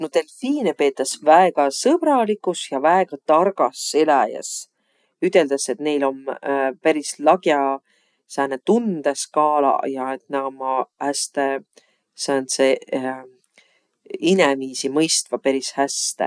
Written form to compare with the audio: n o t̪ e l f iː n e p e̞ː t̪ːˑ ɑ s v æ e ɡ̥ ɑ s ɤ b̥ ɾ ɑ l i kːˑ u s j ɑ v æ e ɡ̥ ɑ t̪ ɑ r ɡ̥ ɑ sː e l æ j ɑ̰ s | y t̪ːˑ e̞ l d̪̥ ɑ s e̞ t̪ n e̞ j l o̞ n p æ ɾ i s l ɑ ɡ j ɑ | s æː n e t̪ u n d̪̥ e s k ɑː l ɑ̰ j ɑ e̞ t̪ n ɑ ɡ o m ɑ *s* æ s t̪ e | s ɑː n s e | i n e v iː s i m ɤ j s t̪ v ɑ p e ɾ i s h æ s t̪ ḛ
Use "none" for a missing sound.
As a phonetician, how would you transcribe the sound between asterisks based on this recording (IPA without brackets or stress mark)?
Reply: h